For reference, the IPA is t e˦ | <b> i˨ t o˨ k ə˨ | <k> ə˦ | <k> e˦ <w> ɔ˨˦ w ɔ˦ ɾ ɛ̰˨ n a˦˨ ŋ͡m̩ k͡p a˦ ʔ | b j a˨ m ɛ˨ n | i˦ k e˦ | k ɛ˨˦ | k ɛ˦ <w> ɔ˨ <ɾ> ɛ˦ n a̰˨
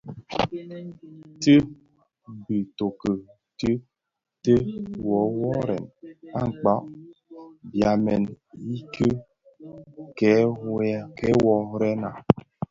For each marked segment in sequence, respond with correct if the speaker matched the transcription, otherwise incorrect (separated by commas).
correct, incorrect, incorrect, correct, correct, correct